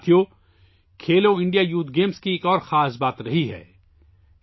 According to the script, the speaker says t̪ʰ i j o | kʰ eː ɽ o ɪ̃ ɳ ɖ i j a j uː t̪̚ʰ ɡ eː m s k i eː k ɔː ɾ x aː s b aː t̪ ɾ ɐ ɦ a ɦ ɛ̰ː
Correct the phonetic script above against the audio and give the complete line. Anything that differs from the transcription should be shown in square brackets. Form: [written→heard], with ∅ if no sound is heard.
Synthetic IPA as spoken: t̪ʰ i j o | kʰ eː [ɽ→l] o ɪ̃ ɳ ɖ i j a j uː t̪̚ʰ ɡ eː m s k i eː k ɔː ɾ x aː s b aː t̪ ɾ ɐ ɦ [a→i] ɦ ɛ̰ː